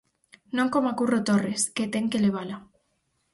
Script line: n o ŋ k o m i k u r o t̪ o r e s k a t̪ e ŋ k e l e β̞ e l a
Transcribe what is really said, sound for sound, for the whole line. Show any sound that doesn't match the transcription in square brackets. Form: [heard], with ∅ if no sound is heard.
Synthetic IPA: n o ŋ k o m [a] k u r o t̪ o r e s k [e] t̪ e ŋ k e l e β̞ [a] l a